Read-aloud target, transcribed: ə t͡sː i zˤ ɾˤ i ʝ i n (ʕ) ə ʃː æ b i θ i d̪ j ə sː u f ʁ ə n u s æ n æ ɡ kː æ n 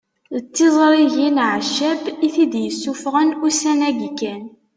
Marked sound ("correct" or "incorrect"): correct